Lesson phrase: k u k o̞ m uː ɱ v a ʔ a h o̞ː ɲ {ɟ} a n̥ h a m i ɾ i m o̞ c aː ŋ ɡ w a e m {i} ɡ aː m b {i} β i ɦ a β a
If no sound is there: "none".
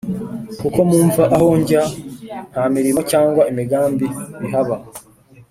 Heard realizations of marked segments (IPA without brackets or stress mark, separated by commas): ɟ, i, i